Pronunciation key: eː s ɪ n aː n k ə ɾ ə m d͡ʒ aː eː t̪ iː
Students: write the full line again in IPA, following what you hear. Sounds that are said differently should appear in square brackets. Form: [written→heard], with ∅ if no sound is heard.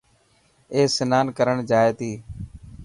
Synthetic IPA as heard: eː s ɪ n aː n k ə ɾ ə [m→ɳ] d͡ʒ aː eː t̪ iː